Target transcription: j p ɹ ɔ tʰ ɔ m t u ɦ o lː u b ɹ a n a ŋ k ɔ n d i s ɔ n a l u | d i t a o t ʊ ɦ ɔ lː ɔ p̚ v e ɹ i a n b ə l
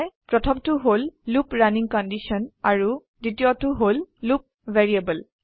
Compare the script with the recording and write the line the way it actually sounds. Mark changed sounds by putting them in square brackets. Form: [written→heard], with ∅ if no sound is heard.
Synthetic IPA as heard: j p ɹ ɔ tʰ ɔ m t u ɦ o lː u [b→p] ɹ a n [a→i] ŋ k ɔ n d i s ɔ n a [l→ɹ] u | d i t [a→i] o t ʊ ɦ [ɔ→o] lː [ɔ→u] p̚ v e ɹ i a [n→∅] b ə l